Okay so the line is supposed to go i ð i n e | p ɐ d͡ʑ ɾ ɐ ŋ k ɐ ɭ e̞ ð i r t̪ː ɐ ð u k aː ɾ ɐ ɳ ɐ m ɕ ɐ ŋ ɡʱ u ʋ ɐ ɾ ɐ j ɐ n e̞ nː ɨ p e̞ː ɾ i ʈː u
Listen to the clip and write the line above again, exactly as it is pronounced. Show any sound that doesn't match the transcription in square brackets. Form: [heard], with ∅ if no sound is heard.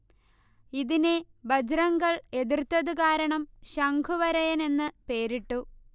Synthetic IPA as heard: i ð i n e | [b] ɐ d͡ʑ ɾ ɐ ŋ [ɡ] ɐ ɭ e̞ ð i r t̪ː ɐ ð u k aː ɾ ɐ ɳ ɐ m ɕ ɐ ŋ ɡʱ u ʋ ɐ ɾ ɐ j ɐ n e̞ nː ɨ p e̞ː ɾ i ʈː u